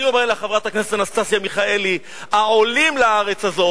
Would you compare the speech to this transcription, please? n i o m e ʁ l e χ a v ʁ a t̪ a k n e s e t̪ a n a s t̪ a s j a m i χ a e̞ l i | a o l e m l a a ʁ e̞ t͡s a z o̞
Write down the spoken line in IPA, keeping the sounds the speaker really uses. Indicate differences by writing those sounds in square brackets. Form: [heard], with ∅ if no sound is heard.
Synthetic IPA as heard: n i o m e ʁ l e χ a v ʁ a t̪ a k n e s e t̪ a n a s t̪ a s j a m i χ a e̞ l i | a o l [i] m l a a ʁ e̞ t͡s a z o̞